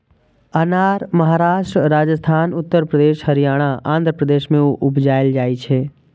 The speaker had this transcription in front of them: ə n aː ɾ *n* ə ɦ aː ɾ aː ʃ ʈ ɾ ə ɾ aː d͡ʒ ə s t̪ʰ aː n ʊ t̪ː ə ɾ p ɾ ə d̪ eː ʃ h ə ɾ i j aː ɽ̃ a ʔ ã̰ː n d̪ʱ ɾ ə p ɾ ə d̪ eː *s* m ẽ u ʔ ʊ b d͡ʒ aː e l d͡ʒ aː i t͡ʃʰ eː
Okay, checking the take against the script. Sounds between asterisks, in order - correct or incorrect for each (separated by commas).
incorrect, incorrect